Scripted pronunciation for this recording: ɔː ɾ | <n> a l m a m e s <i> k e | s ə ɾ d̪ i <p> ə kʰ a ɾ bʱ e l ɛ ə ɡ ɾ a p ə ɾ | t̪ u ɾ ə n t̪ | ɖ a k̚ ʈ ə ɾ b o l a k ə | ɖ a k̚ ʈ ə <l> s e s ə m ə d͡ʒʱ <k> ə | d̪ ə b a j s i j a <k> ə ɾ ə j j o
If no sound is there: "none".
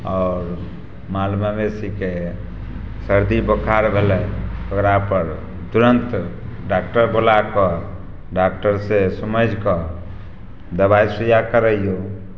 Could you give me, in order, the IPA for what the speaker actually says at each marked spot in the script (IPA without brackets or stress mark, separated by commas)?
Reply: m, i, b, ɾ, k, k